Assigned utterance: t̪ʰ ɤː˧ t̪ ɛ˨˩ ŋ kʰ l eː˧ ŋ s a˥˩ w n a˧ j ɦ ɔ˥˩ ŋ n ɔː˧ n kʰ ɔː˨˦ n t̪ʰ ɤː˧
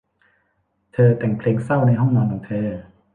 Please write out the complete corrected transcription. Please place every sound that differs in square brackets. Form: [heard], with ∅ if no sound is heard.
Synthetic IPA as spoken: t̪ʰ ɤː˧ t̪ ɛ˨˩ ŋ [pʰ] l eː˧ ŋ s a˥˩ w n a˧ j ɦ ɔ˥˩ ŋ n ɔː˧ n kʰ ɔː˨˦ [ŋ] t̪ʰ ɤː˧